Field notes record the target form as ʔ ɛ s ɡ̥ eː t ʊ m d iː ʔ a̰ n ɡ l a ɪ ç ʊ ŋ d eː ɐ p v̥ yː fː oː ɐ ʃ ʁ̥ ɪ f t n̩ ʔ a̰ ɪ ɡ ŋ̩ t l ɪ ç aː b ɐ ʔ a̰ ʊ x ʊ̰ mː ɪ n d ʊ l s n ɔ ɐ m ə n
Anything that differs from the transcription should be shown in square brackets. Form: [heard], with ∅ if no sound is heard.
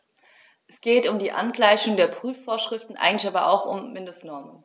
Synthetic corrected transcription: ʔ ɛ s ɡ̥ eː t ʊ m d iː ʔ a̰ n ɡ l a ɪ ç ʊ ŋ d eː ɐ p [ʁ̥] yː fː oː ɐ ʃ ʁ̥ ɪ f t n̩ ʔ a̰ ɪ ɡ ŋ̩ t l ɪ ç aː b ɐ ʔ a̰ ʊ x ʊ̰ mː ɪ n d ʊ [∅] s n ɔ ɐ m ə n